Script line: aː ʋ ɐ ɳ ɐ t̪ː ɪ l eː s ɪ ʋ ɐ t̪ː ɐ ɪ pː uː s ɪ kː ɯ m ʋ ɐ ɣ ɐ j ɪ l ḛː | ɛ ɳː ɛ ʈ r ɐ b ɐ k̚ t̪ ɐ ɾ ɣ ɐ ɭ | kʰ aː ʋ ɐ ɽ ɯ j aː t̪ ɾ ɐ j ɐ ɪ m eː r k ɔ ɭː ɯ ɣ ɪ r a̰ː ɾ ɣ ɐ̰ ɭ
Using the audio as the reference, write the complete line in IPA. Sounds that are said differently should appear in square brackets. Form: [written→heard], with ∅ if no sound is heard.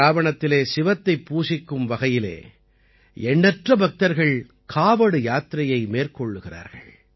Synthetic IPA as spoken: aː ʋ ɐ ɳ ɐ t̪ː ɪ l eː s ɪ ʋ ɐ t̪ː ɐ ɪ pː uː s ɪ kː ɯ m ʋ ɐ ɣ ɐ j ɪ l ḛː | ɛ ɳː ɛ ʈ r ɐ b ɐ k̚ t̪ ɐ ɾ ɣ ɐ ɭ | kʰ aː ʋ ɐ ɽ ɯ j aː t̪ ɾ ɐ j ɐ ɪ m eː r k ɔ ɭː ɯ ɣ ɪ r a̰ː ɾ ɣ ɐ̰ ɭ